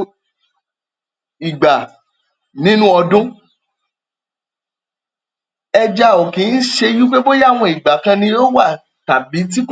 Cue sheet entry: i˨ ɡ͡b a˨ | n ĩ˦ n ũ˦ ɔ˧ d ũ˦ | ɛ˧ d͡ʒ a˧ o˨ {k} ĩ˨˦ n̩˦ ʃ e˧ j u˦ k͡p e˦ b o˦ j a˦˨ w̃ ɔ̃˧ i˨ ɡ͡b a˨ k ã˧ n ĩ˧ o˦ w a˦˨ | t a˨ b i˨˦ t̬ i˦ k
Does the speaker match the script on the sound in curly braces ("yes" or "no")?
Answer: yes